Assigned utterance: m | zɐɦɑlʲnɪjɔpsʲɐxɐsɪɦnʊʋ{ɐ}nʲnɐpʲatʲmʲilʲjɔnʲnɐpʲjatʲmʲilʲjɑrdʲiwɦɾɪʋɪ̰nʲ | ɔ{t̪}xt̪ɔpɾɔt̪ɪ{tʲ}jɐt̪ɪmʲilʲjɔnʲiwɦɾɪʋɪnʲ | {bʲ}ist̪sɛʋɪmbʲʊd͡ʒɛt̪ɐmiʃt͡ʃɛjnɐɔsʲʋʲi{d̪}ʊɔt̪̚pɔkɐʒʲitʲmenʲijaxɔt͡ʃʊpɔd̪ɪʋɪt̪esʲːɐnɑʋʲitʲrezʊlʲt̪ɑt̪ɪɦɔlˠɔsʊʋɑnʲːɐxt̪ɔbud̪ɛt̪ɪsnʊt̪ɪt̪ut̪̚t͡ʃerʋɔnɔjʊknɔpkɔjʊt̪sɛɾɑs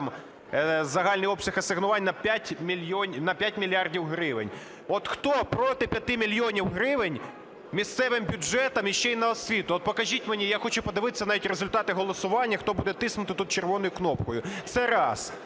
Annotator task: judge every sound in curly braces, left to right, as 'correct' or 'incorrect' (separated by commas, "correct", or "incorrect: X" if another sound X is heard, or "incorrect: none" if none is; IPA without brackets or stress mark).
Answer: incorrect: ɑ, correct, incorrect: pʲ, incorrect: mʲ, incorrect: t̪